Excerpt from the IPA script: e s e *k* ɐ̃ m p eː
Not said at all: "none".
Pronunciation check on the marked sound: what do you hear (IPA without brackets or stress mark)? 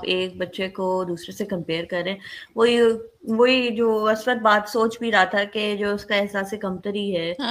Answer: k